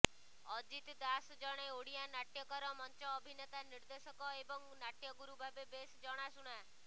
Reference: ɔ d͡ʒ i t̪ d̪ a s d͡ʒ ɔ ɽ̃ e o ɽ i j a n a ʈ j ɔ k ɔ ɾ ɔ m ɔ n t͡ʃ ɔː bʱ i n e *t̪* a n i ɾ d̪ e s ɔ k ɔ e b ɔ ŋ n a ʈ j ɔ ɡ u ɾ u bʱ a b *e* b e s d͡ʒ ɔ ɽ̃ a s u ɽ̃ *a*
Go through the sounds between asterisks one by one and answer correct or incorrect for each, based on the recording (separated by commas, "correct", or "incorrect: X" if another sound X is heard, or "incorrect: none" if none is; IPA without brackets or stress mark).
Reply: correct, correct, correct